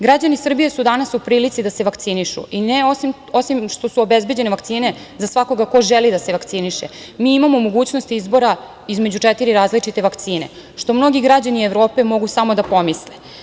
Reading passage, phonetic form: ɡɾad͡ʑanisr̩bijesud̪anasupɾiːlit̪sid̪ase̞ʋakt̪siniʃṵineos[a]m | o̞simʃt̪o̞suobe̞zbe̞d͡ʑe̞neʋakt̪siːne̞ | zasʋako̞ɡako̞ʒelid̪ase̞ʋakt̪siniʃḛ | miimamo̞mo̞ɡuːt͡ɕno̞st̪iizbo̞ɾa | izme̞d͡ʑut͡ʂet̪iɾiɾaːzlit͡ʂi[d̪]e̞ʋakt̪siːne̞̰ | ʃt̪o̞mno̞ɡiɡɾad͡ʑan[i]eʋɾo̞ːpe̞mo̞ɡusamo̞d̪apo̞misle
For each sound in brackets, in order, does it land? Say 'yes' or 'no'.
no, no, yes

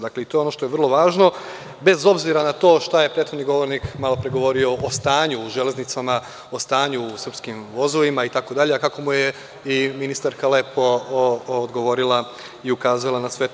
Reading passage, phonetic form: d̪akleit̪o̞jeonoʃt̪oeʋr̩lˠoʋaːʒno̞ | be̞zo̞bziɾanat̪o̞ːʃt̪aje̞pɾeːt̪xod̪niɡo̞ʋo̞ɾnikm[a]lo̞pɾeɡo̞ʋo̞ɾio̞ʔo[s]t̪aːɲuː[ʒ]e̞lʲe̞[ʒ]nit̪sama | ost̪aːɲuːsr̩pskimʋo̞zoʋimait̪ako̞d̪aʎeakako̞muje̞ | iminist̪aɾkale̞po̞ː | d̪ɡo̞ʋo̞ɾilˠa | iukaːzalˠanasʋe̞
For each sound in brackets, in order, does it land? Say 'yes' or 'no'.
yes, yes, yes, no

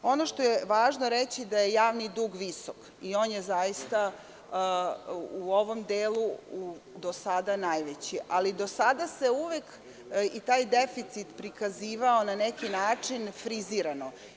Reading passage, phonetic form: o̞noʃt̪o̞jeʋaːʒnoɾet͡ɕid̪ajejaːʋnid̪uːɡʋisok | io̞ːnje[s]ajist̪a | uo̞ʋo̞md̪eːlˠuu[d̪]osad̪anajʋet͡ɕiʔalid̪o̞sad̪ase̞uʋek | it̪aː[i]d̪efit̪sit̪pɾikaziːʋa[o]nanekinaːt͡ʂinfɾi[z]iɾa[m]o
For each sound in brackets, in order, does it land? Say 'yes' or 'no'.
no, yes, no, yes, yes, no

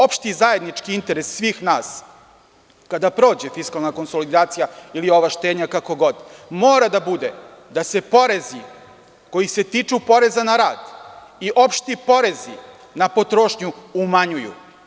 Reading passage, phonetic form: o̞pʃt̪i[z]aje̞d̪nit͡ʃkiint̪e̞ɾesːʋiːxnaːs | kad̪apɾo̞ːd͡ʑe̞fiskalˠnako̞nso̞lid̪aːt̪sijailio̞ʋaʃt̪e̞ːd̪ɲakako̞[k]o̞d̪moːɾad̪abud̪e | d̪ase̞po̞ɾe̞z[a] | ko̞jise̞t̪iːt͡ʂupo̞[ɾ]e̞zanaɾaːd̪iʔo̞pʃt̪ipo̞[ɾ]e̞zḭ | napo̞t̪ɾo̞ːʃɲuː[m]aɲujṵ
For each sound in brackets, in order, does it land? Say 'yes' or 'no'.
yes, no, no, yes, yes, yes

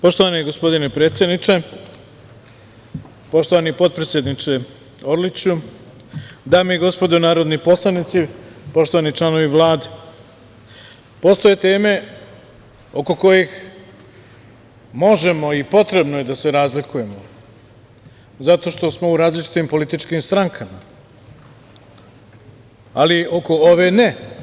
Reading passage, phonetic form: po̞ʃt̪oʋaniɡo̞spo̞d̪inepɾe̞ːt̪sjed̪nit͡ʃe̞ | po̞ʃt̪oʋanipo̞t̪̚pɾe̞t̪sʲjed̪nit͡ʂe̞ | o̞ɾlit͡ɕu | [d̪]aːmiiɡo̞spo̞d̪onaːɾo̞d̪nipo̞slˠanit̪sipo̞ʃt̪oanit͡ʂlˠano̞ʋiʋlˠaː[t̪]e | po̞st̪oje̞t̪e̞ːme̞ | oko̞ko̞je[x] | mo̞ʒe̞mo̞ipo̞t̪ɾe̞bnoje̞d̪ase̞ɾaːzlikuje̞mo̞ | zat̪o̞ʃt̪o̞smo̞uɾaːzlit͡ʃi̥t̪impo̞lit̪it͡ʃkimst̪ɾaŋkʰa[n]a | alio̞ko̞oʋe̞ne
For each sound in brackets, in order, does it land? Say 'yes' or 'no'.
yes, no, yes, no

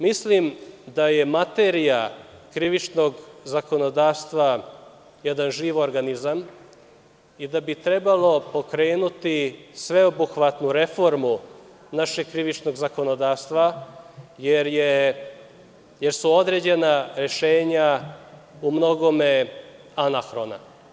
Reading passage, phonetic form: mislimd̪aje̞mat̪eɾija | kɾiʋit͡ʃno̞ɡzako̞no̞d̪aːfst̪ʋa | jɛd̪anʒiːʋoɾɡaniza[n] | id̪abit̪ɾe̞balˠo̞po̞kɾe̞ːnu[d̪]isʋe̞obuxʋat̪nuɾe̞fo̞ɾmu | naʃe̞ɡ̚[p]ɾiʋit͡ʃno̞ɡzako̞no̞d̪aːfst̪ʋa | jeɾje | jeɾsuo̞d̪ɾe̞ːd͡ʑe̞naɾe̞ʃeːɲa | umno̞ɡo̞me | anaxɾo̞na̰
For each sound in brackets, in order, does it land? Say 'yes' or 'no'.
no, no, no

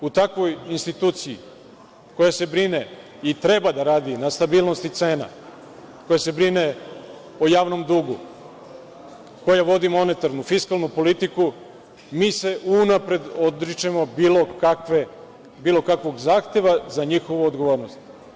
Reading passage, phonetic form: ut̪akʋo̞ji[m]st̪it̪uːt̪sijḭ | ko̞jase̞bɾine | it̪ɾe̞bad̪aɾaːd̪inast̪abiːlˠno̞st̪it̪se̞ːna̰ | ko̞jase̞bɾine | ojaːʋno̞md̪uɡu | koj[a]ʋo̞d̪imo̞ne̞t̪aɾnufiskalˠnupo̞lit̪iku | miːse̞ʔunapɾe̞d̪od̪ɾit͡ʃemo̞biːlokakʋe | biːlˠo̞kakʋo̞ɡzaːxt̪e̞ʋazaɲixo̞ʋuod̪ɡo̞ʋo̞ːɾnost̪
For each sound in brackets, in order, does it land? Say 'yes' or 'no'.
no, yes

